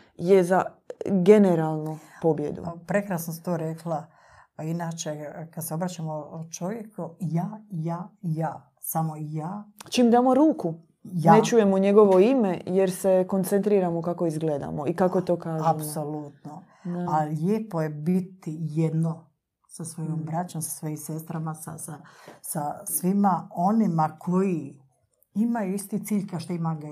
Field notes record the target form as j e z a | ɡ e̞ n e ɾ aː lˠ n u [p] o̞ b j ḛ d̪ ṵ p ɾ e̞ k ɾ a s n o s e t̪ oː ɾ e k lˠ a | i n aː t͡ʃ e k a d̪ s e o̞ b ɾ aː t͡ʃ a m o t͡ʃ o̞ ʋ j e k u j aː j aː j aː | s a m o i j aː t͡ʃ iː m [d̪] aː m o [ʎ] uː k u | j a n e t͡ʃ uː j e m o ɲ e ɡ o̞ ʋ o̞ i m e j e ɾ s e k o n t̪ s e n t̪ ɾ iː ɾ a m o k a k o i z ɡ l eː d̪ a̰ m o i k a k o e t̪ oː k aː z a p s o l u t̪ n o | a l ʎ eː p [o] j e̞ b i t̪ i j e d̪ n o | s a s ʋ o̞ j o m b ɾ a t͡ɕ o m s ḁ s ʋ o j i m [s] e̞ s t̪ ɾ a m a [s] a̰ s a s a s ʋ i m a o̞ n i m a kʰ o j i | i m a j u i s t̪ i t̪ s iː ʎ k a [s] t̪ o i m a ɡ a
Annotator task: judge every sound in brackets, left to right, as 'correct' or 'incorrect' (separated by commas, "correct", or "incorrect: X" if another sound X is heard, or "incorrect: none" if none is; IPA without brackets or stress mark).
correct, correct, incorrect: ɾ, correct, correct, correct, incorrect: ʃ